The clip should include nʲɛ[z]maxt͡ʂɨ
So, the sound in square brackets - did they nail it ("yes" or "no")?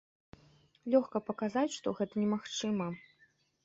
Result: no